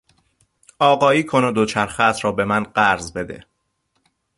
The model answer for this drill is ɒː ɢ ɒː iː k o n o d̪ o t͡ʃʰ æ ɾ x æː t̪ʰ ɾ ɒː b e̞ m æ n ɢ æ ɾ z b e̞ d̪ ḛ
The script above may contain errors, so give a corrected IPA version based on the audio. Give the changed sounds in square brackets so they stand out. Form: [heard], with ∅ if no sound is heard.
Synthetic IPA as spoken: ɒː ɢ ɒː iː [kʰ] o n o d̪ o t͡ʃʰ æ ɾ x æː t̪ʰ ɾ ɒː b e̞ m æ n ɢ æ ɾ z b e̞ d̪ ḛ